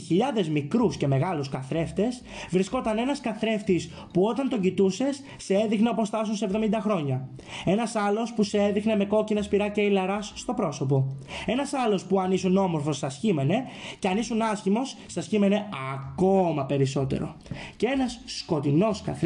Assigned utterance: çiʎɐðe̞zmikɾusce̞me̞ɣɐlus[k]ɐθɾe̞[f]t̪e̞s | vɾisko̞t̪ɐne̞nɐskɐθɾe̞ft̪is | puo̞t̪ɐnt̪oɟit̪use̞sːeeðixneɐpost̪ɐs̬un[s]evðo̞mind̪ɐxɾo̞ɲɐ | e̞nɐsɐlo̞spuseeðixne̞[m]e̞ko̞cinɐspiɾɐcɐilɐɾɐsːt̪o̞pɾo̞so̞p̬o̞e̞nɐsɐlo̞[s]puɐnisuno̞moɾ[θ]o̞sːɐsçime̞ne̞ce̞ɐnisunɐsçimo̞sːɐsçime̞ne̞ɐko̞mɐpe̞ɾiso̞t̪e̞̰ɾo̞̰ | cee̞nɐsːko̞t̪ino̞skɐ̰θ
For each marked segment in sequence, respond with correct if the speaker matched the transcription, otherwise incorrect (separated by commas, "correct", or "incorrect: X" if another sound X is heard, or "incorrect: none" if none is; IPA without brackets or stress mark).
correct, correct, correct, correct, correct, incorrect: f